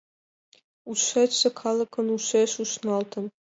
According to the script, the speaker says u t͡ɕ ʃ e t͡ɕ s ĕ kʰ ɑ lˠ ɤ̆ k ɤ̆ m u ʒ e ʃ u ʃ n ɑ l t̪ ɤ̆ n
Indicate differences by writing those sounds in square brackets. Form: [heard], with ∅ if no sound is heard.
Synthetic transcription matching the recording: u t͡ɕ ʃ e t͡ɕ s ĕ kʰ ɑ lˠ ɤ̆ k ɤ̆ [n] u [ʃ] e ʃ u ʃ n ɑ l t̪ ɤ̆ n

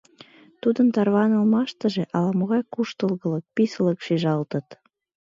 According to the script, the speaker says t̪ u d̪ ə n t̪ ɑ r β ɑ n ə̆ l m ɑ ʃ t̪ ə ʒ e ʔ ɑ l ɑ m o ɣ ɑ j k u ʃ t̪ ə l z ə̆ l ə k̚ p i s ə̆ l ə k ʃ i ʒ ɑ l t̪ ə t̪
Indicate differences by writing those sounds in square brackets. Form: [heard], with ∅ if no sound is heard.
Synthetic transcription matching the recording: t̪ u d̪ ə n t̪ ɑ r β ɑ n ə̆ l m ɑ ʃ t̪ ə ʒ e ʔ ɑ l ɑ m o ɣ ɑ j k u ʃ t̪ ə l [ɣ] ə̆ l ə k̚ p i s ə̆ l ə k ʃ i ʒ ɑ l t̪ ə t̪

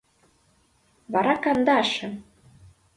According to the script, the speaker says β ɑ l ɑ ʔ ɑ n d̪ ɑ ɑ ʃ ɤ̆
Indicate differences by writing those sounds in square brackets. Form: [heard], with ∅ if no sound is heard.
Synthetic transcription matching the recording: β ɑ [ɾ] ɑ [k] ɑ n d̪ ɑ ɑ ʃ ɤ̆

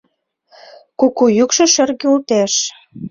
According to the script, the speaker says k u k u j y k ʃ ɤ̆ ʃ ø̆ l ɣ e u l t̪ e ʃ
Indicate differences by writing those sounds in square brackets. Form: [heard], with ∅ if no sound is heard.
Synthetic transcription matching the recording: k u k u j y k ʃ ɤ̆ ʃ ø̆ [r] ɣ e u l t̪ e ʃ

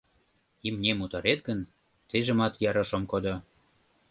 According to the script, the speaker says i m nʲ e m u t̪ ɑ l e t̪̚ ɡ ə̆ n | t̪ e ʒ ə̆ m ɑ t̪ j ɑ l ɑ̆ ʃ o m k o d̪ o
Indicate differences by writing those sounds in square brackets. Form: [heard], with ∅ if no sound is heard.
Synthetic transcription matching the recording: i m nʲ e m u t̪ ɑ [ɾ] e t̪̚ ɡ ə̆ n | t̪ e ʒ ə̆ m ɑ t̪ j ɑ [ɾ] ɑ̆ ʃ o m k o d̪ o

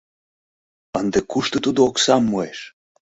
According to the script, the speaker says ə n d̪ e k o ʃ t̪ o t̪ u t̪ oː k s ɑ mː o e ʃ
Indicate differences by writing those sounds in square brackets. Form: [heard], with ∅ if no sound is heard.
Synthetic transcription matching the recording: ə n d̪ e k [u] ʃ t̪ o t̪ u [d̪] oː k s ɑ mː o e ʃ

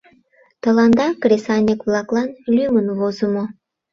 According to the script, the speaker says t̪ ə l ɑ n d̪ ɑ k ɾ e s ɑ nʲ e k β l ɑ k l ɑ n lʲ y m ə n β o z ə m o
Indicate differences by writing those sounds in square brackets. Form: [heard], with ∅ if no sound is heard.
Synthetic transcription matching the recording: t̪ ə l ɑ n d̪ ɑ k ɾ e s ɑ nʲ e k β l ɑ k l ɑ n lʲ y m ə n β o z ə m o

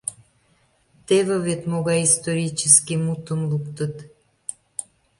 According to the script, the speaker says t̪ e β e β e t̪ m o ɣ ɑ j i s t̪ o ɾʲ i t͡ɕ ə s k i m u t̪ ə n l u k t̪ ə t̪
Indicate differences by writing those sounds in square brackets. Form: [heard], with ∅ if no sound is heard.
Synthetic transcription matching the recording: t̪ e β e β e t̪ m o ɣ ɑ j i s t̪ o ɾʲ i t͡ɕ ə s k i m u t̪ ə [m] l u k t̪ ə t̪

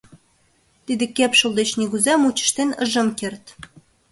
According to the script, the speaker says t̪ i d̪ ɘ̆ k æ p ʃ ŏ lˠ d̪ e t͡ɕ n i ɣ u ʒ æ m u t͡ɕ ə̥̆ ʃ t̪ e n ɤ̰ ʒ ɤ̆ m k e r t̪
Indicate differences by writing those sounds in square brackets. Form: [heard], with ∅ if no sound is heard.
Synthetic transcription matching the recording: t̪ i d̪ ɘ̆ k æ p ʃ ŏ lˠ d̪ e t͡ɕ n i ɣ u [z] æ m u t͡ɕ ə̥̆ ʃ t̪ e n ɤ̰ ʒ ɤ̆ m k e r t̪

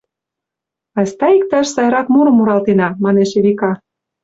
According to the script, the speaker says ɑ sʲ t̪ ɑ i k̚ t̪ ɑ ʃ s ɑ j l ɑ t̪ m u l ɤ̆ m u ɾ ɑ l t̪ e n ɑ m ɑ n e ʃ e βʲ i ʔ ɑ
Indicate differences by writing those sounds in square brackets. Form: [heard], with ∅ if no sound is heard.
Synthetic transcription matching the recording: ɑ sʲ t̪ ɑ i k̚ t̪ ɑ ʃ s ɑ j [ɾ] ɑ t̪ m u [ɾ] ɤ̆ m u ɾ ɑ l t̪ e n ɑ m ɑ n e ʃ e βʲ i [k] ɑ

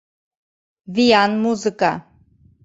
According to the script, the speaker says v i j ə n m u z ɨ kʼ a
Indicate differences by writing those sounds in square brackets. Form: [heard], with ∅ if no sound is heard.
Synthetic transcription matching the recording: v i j [a] n m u z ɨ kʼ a

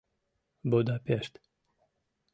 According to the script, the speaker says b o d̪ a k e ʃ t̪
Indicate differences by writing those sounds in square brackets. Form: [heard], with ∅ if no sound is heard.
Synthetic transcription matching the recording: b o d̪ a [p] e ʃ t̪

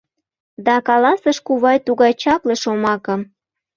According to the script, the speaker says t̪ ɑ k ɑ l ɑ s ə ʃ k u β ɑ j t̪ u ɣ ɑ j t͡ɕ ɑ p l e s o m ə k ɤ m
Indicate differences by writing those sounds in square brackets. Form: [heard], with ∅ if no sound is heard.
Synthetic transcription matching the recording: [d̪] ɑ k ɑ l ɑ s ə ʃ k u β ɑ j t̪ u ɣ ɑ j t͡ɕ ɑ p l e [ʃ] o m [ɑ] k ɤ m

